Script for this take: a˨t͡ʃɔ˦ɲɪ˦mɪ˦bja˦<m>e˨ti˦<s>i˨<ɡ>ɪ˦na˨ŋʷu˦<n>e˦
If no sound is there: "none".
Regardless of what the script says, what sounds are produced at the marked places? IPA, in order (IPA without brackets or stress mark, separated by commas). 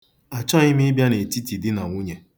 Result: n, t, d, ɲ